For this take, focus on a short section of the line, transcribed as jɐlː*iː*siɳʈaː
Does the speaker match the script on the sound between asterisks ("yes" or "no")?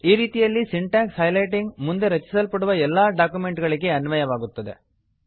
no